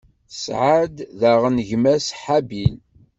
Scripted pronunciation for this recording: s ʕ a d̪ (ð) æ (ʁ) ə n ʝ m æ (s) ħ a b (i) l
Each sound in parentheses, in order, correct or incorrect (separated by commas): correct, correct, correct, correct